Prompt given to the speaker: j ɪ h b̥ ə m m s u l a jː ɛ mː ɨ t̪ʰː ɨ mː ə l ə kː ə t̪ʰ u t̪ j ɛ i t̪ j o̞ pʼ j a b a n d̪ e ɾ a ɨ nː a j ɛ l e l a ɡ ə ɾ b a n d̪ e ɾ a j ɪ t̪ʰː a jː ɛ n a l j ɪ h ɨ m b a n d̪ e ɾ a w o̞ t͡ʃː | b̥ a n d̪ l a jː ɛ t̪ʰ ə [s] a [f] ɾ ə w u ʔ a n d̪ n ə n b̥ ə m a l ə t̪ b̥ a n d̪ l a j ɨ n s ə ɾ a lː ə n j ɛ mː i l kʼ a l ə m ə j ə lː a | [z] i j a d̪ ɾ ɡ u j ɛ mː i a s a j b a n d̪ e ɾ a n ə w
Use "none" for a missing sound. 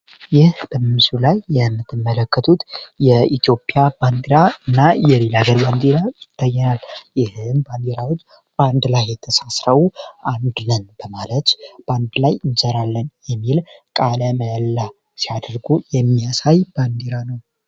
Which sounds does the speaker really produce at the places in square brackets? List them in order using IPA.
s, s, s

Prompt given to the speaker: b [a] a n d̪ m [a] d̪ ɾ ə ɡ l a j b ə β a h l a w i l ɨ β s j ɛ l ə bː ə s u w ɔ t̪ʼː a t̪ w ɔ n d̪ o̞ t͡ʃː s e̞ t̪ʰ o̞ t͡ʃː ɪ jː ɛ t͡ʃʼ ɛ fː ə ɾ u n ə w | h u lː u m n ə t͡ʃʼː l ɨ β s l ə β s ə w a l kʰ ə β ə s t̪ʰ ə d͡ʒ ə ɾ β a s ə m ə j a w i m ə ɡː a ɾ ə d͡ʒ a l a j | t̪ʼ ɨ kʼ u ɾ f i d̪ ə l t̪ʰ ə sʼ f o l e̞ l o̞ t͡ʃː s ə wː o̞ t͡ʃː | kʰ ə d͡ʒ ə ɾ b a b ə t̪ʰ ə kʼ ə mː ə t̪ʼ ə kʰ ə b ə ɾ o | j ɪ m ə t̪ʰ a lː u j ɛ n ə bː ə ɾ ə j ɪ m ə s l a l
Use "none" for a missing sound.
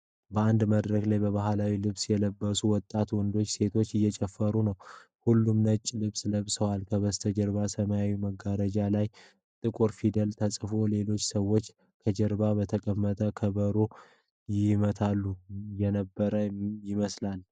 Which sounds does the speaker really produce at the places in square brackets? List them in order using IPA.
ə, ə

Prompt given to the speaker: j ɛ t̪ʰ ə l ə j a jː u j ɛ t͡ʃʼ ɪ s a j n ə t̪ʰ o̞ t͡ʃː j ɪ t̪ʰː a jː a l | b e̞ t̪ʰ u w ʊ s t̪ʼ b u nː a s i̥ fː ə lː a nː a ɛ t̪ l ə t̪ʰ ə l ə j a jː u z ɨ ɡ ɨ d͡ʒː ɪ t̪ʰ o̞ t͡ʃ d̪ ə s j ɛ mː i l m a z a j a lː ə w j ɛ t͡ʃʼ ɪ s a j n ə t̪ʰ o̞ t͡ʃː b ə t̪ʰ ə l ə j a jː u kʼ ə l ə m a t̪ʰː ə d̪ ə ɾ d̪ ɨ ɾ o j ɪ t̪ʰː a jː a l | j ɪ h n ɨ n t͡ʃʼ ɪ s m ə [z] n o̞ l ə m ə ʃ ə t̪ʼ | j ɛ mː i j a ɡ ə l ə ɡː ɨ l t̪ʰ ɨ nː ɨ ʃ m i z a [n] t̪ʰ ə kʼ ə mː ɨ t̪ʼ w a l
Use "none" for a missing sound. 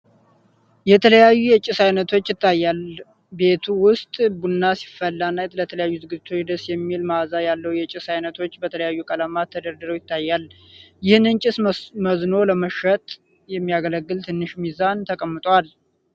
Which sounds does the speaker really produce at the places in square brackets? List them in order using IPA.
z, n

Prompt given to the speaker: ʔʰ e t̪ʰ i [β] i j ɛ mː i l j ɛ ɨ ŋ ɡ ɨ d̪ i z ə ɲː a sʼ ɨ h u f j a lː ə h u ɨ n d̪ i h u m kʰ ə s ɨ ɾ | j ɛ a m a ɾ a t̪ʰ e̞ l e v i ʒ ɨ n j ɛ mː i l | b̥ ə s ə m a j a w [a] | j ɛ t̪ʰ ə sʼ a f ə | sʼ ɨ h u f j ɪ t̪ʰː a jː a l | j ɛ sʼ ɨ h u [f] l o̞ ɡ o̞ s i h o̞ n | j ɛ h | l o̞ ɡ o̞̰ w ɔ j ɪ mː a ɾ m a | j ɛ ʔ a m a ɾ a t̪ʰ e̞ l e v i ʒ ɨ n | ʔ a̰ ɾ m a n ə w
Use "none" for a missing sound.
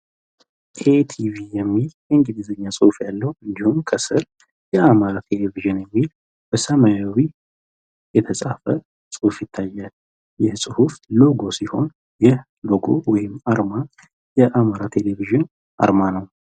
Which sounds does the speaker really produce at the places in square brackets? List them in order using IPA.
v, i, f

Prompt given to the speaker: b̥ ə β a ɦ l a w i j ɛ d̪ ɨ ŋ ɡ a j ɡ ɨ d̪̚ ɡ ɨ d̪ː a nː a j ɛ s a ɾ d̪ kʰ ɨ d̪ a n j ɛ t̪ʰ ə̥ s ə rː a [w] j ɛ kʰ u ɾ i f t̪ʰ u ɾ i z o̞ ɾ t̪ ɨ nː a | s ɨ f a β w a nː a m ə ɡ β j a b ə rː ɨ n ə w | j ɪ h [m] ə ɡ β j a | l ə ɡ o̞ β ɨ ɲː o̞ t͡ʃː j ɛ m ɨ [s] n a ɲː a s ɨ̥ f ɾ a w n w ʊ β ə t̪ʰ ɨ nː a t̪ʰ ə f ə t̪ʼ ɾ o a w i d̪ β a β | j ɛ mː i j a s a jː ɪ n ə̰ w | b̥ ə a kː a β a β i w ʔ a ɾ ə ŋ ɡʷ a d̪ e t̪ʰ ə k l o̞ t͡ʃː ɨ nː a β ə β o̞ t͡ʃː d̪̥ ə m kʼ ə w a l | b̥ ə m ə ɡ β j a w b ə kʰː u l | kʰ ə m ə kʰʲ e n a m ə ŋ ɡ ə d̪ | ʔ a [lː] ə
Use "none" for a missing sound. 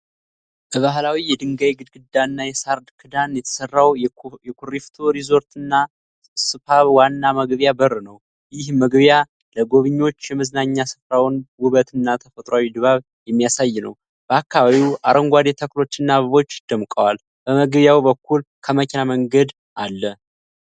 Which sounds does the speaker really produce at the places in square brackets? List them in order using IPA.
w, m, z, lː

